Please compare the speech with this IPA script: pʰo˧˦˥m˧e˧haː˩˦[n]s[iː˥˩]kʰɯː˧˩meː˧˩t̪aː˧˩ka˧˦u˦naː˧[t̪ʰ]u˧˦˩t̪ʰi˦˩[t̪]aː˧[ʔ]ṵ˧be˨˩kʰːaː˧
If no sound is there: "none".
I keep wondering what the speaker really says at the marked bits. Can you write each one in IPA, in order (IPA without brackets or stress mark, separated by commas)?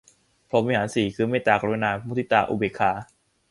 n, iː˨˩, none, t̪, ʔ